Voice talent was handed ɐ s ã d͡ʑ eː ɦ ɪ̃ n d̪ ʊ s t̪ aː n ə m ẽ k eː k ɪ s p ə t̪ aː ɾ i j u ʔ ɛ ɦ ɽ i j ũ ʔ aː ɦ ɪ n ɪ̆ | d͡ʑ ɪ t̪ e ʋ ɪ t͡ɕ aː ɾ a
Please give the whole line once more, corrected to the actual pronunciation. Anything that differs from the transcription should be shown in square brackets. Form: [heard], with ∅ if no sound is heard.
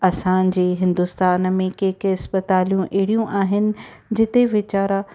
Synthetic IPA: ɐ s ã d͡ʑ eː ɦ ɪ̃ n d̪ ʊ s t̪ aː n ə m ẽ k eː k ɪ s p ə t̪ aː [l] i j [ũ] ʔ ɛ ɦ ɽ i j ũ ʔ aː ɦ ɪ n ɪ̆ | d͡ʑ ɪ t̪ e ʋ ɪ t͡ɕ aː ɾ a